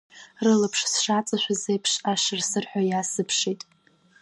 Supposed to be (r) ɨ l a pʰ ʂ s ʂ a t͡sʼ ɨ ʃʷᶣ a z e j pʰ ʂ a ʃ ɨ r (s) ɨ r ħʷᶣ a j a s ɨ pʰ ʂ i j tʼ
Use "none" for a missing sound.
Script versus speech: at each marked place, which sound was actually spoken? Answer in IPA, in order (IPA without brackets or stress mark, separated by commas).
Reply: r, s